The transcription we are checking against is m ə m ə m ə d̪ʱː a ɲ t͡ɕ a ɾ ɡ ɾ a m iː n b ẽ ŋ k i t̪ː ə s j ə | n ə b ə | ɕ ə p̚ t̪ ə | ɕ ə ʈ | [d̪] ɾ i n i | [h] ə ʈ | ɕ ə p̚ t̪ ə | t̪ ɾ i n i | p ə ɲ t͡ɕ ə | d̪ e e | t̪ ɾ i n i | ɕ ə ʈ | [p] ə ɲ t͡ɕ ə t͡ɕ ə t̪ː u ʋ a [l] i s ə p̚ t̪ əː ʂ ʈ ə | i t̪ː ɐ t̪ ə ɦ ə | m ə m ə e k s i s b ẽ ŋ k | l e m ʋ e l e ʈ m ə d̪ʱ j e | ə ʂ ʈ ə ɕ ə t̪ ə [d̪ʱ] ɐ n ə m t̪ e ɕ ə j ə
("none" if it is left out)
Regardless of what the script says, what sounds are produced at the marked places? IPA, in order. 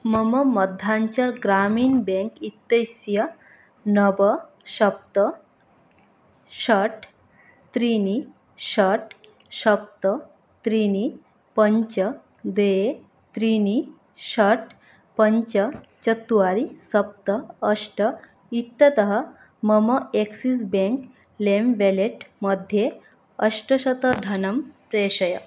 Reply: t̪, ɕ, p, ɾ, d̪ʱ

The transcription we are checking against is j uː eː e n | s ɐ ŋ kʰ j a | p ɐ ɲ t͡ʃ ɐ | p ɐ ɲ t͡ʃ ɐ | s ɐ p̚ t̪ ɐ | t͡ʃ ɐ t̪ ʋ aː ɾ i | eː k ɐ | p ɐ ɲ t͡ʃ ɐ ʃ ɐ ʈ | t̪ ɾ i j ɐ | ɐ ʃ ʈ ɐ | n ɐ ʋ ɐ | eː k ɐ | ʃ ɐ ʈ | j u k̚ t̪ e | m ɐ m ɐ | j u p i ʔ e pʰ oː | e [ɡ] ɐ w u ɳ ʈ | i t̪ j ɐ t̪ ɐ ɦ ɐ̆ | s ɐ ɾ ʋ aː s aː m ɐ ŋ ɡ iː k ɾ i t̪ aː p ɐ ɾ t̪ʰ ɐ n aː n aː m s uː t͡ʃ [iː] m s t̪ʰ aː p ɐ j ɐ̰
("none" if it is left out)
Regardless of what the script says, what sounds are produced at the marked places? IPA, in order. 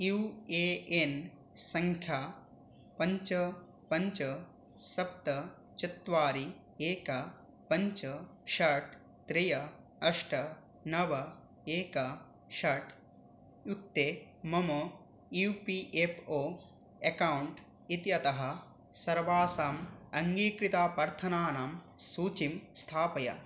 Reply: k, i

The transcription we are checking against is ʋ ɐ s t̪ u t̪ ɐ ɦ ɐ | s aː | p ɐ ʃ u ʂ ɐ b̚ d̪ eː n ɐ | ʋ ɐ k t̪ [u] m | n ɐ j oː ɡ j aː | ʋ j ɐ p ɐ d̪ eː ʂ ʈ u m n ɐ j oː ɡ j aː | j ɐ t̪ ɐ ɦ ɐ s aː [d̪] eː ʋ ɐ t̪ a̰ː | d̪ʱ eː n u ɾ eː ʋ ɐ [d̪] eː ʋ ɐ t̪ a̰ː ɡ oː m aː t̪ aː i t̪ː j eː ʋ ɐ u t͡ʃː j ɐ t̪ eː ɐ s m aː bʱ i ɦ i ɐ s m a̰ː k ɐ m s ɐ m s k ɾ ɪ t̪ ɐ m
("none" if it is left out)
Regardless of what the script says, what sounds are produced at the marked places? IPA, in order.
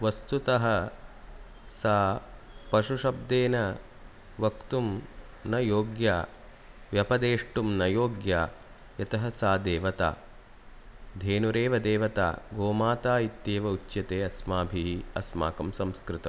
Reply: u, d̪, d̪

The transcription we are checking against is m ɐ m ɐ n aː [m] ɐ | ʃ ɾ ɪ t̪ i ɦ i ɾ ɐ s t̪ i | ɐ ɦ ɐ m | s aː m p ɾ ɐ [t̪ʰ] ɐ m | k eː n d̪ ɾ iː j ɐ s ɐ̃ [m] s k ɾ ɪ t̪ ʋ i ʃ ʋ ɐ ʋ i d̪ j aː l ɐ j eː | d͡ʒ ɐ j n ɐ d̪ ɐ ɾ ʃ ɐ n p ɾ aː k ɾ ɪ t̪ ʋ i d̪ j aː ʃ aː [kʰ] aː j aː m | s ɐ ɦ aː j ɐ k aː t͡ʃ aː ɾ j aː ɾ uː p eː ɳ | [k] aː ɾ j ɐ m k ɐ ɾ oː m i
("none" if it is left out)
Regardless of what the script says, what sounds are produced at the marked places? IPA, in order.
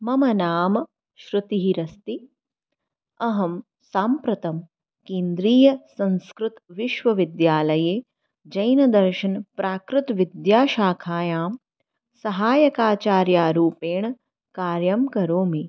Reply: m, t̪, n, kʰ, k

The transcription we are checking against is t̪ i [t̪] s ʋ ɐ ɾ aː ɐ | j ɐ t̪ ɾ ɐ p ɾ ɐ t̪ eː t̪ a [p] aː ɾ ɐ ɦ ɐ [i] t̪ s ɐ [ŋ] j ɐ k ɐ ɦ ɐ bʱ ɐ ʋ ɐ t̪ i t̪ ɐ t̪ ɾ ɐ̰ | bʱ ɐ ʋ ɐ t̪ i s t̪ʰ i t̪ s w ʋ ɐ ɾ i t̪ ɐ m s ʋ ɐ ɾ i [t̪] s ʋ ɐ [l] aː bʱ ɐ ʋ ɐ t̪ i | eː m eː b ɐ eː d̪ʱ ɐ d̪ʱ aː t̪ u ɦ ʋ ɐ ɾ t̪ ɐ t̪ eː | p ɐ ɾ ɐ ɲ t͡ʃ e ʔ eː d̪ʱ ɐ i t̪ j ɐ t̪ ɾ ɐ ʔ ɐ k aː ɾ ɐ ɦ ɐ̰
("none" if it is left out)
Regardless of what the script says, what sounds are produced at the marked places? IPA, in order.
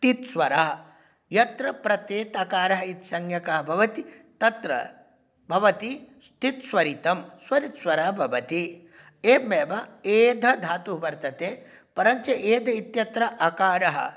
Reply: t̪, k, i, ŋ, t̪, ɾ

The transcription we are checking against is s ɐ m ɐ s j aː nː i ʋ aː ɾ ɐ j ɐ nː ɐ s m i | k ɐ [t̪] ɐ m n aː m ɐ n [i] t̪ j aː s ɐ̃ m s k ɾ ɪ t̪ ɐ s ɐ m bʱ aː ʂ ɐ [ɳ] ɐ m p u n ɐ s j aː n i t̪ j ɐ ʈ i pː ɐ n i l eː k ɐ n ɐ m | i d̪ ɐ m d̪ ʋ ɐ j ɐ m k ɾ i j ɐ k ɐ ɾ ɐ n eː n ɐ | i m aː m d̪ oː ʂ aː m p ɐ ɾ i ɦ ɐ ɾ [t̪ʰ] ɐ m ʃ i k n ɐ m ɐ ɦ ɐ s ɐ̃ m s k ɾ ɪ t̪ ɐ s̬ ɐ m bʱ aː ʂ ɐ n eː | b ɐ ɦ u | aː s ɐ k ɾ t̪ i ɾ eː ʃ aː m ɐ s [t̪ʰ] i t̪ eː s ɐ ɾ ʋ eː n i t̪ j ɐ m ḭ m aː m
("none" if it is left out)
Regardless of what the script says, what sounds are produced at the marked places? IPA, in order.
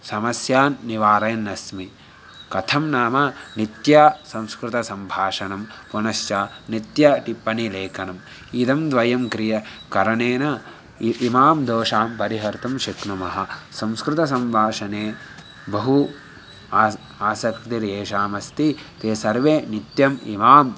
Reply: t̪ʰ, i, n, t̪, t̪

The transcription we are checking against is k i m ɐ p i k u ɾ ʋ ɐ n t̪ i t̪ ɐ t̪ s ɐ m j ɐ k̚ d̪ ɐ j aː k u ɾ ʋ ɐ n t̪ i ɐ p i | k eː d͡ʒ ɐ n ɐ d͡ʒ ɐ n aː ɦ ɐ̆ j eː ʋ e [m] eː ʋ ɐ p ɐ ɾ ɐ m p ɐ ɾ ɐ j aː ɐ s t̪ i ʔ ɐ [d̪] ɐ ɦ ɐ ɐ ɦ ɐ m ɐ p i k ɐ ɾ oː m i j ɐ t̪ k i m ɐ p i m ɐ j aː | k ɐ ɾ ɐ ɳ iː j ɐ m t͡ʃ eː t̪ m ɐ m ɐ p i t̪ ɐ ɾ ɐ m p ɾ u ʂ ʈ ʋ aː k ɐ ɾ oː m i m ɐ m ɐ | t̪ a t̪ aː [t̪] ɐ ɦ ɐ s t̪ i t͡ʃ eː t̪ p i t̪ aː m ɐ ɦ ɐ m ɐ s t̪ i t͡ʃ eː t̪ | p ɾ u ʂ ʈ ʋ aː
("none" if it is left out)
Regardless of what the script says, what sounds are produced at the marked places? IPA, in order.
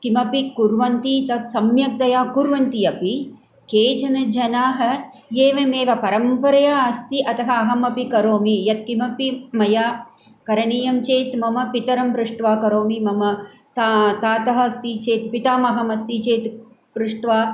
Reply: m, t̪, t̪

